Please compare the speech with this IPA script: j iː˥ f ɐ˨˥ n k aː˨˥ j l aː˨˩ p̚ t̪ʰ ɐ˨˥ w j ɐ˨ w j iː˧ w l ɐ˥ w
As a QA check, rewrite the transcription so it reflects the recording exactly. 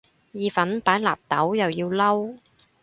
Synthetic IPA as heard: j iː˨ f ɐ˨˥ n p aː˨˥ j l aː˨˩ p̚ t̪ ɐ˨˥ w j ɐ˨ w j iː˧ w l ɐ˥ w